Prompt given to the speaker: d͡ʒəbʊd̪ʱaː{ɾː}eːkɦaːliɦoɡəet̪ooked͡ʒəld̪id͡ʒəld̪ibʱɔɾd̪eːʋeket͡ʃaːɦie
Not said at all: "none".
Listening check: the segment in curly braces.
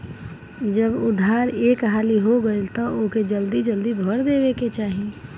ɾ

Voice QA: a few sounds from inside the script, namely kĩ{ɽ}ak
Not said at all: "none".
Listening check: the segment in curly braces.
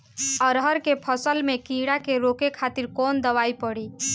ɽ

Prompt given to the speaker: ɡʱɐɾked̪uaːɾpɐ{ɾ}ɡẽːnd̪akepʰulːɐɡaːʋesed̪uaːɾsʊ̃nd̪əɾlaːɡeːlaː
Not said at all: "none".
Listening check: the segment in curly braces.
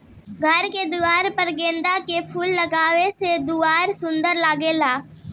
ɾ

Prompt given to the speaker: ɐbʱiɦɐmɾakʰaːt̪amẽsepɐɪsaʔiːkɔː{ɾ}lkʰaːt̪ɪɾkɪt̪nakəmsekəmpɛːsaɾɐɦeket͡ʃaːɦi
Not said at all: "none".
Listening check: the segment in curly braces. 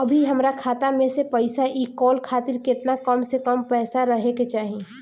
none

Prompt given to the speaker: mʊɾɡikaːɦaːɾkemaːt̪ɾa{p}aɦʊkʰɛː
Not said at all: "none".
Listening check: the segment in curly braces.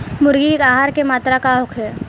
k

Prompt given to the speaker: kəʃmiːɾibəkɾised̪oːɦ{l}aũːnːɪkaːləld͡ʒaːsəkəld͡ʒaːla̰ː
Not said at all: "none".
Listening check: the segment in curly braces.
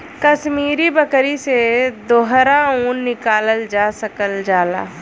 ɾ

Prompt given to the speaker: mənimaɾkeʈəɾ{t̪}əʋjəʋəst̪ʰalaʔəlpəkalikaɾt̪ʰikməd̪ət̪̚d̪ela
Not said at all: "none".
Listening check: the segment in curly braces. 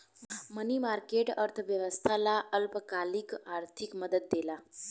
t̪ʰ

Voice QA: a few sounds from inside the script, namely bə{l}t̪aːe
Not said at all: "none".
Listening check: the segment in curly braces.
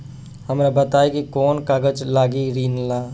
none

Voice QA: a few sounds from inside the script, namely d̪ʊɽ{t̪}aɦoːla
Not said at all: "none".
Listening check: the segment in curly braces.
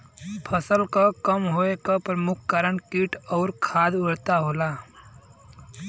t̪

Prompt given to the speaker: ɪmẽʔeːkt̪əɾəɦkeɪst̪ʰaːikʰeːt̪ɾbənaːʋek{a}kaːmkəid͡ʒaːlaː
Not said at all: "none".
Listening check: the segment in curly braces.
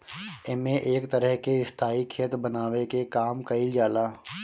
e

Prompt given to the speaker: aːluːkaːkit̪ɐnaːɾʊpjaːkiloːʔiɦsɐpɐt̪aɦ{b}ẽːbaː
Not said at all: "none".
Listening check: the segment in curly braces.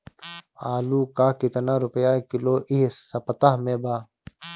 m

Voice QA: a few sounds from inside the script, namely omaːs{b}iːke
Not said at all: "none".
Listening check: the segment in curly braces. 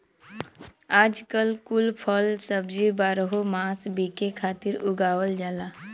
b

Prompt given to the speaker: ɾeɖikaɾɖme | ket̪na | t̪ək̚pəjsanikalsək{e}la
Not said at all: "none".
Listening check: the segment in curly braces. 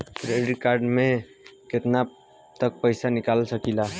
i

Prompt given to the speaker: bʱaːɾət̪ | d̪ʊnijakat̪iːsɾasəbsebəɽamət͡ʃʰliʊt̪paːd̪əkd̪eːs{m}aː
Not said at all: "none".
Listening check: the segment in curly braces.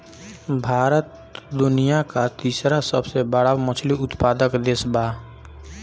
b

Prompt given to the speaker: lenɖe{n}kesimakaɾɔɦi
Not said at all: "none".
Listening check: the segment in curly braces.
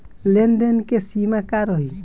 n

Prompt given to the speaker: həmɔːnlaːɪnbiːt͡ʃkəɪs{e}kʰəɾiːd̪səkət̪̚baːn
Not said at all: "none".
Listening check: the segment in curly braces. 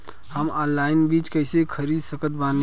e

